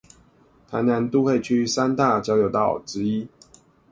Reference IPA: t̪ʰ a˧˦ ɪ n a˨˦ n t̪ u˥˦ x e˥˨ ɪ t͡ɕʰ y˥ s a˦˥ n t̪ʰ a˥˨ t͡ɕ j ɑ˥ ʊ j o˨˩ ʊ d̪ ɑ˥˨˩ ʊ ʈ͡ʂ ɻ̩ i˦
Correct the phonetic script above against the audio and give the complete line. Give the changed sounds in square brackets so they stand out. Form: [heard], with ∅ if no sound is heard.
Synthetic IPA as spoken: t̪ʰ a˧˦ ɪ n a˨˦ n t̪ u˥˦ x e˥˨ ɪ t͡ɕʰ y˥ s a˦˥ n [t̪] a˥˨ t͡ɕ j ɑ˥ ʊ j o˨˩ ʊ [t̪] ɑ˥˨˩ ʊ ʈ͡ʂ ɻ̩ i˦